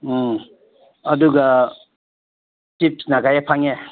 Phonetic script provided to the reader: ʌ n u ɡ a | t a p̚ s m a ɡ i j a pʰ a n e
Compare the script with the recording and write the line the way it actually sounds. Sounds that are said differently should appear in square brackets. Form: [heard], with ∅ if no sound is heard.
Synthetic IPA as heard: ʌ [d] u ɡ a | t [i] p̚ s [n] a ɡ [a] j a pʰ a [ŋ] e